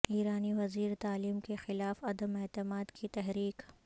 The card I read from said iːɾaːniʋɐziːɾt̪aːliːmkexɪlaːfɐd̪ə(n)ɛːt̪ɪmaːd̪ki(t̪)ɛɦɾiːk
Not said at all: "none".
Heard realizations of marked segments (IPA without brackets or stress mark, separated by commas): m, t̪